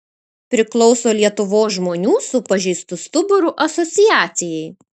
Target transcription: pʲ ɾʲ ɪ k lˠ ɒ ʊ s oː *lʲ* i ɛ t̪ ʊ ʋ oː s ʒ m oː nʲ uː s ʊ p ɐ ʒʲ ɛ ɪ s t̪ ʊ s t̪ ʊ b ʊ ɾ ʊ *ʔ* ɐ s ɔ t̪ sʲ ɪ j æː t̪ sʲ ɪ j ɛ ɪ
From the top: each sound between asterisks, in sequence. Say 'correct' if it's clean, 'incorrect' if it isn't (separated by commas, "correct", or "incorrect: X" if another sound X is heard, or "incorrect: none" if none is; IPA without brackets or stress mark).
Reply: correct, correct